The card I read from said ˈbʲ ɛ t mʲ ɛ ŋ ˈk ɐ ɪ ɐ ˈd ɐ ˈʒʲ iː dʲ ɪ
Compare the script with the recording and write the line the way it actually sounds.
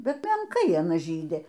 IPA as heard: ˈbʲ ɛ t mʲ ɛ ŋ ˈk ɐ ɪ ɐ ˈn ɐ ˈʒʲ iː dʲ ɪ